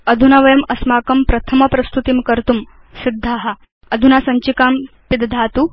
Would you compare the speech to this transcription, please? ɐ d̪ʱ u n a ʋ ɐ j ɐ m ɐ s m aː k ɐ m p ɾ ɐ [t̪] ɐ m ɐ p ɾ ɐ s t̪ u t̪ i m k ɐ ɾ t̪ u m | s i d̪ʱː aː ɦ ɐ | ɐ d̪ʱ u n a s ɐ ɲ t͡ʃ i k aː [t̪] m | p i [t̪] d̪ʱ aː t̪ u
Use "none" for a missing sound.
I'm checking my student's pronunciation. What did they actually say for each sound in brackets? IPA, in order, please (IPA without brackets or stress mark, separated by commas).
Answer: t̪ʰ, none, d̪